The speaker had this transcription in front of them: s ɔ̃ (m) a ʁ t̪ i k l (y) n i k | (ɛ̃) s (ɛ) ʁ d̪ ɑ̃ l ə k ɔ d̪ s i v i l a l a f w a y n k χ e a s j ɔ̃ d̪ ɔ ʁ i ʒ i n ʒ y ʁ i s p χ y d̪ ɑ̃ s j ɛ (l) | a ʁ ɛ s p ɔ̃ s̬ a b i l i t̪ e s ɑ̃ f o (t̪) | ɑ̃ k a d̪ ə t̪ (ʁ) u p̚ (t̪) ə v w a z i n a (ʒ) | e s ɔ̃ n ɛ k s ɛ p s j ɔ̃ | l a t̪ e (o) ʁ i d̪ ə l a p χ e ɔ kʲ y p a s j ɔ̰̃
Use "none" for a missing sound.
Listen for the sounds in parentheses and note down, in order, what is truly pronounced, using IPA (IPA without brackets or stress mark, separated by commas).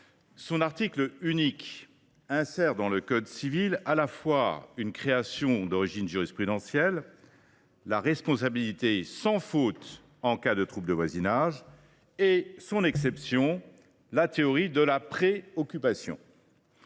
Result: n, y, ɛ̃, ɛ, lː, t̪, χ, d̪, ʒ, ɔ